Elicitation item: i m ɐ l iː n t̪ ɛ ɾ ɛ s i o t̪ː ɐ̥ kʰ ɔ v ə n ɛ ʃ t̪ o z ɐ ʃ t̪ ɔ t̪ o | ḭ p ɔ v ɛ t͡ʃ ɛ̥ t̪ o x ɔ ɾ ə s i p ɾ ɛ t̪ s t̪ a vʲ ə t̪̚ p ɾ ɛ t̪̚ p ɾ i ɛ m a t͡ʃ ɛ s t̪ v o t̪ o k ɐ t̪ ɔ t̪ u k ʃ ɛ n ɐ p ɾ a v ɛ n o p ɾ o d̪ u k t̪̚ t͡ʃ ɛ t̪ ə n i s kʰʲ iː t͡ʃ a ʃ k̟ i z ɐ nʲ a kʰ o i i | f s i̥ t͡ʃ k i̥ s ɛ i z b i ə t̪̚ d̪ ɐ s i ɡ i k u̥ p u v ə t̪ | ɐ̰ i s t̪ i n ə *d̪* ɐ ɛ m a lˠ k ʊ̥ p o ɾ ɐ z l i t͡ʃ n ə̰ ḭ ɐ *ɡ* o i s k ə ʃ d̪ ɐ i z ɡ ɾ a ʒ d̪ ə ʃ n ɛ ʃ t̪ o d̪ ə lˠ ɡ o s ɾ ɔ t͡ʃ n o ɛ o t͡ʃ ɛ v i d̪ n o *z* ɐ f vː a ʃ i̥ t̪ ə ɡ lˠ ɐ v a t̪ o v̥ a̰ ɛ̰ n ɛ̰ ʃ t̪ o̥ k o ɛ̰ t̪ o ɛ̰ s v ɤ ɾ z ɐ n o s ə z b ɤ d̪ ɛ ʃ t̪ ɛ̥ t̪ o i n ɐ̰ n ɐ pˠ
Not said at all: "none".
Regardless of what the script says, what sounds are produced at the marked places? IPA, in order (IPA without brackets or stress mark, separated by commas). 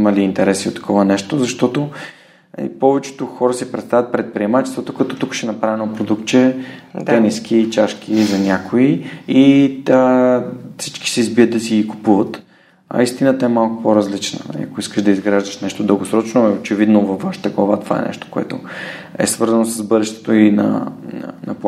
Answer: t̪, k, v